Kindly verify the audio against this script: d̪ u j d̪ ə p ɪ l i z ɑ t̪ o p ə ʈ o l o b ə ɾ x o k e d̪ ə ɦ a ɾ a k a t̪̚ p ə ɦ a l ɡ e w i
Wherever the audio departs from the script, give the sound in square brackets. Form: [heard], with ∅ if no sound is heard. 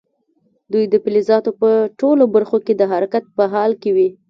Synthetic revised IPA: d̪ u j d̪ ə p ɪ l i z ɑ t̪ o p ə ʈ o l o b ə ɾ x o k e d̪ ə ɦ a ɾ a k a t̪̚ p ə ɦ [ɑ] l [k] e w i